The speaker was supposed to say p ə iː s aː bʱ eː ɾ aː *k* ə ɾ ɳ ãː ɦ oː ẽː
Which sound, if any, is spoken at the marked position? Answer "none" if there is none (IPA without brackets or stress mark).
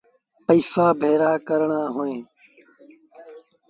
k